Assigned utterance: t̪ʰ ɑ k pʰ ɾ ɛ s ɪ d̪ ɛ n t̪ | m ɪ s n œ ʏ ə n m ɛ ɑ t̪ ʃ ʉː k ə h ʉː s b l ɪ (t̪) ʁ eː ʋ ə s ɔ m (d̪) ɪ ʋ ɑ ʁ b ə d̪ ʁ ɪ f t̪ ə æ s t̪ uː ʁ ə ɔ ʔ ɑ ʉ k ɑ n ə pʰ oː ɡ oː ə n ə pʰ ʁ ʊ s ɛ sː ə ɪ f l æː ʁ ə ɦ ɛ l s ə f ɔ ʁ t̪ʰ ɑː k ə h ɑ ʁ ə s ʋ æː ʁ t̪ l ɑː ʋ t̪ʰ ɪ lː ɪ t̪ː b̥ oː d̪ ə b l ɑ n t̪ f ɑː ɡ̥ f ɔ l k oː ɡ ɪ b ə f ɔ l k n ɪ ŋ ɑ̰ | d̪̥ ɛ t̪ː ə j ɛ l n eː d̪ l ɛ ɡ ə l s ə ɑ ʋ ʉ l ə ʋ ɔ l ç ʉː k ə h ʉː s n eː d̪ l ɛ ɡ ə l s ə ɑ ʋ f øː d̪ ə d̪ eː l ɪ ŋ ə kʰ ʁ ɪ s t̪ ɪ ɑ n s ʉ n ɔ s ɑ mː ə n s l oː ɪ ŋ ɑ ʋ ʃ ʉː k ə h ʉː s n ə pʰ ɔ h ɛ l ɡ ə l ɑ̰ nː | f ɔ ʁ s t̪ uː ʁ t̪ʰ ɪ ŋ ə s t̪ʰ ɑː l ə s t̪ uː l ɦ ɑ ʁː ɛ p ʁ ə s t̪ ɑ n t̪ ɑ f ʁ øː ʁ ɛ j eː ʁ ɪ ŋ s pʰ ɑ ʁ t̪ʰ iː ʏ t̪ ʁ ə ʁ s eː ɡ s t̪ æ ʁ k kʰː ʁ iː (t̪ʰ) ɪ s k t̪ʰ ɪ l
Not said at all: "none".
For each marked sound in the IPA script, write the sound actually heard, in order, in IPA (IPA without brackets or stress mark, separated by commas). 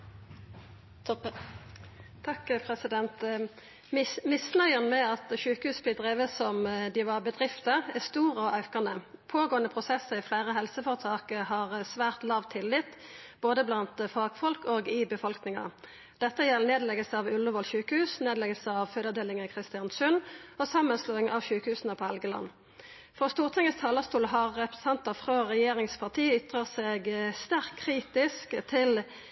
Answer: d̪, d̪, t̪